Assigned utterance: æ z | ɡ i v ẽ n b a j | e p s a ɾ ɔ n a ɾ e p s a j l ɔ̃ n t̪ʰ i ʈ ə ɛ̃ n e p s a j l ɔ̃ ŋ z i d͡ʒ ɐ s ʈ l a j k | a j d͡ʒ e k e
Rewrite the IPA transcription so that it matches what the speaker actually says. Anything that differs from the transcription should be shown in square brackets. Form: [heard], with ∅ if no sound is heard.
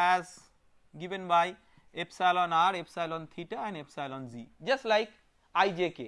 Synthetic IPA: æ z | ɡ i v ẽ n b a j | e p s a [l] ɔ n a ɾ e p s a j l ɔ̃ n t̪ʰ i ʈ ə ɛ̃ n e p s a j l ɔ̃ [n] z i d͡ʒ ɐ s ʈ l a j k | a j d͡ʒ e k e